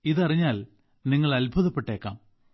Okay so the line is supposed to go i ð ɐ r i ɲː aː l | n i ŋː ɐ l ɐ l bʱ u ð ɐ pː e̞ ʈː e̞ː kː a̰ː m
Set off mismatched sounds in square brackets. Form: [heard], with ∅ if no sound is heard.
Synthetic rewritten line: i ð ɐ r i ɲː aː l | n i ŋː ɐ [ɭ] ɐ l bʱ u ð ɐ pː e̞ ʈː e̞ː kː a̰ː m